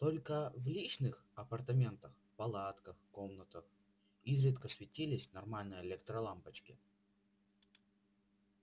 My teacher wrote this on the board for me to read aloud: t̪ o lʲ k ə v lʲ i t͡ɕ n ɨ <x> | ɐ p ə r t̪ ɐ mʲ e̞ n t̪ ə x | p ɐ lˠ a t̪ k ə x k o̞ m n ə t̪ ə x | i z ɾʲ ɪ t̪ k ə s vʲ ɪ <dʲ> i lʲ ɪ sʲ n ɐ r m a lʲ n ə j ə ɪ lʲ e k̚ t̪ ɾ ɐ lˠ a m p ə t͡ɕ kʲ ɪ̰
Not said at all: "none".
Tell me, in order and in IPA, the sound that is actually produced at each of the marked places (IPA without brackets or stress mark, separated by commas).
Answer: x, tʲ